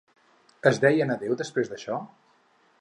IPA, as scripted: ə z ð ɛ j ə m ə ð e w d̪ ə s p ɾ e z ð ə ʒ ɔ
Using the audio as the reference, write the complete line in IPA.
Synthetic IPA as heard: ə z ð ɛ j ə n ə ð e w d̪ ə s p ɾ e z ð ə ʃ ɔ